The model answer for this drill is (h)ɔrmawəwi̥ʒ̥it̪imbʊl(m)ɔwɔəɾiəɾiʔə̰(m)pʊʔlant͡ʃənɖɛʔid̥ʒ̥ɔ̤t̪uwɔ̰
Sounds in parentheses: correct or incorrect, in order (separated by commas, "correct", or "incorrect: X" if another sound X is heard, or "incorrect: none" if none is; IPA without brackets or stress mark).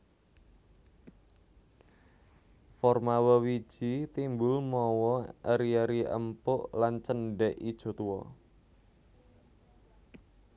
incorrect: f, correct, correct